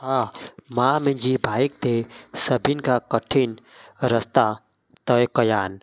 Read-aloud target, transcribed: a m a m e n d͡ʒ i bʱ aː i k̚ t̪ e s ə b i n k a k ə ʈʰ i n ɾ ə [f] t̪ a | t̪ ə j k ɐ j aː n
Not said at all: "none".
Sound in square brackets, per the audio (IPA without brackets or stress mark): s